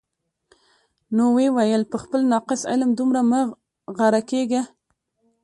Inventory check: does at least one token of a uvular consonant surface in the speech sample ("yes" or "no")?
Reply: yes